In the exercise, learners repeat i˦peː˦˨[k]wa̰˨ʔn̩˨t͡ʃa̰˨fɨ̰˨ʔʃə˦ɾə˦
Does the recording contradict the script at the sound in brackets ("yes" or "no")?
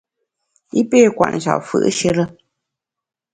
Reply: no